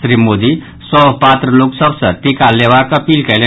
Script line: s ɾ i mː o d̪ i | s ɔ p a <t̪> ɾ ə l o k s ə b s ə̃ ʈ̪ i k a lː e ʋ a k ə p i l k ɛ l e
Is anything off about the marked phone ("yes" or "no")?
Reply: no